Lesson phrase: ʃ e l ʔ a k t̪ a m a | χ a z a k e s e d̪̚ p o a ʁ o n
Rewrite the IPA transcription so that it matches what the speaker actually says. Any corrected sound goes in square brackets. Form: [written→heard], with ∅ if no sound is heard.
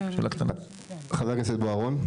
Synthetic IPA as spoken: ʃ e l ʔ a k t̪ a [m→n] a | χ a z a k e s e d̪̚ [p→b] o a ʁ o n